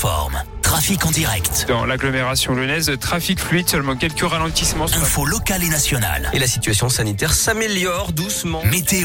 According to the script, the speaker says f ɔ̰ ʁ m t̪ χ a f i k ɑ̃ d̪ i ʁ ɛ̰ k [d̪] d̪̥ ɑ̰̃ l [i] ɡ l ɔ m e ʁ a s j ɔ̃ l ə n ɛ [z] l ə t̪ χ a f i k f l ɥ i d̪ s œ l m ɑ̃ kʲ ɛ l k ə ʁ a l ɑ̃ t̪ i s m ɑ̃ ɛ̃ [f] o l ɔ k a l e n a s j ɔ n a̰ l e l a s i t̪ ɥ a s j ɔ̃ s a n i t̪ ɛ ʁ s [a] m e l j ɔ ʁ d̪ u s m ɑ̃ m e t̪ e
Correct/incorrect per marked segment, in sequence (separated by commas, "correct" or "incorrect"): incorrect, incorrect, correct, correct, correct